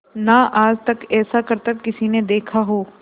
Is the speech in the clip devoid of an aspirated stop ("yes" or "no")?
no